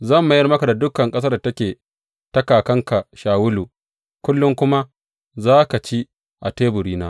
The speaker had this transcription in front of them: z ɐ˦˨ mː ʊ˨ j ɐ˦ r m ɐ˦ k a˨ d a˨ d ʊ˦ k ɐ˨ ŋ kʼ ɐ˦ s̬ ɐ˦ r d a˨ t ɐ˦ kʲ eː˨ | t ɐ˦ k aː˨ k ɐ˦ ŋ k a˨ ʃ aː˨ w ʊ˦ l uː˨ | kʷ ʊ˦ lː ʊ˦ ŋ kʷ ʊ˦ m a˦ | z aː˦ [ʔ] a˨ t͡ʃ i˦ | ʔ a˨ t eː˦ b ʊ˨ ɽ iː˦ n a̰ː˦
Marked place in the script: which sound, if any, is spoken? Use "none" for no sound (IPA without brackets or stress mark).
k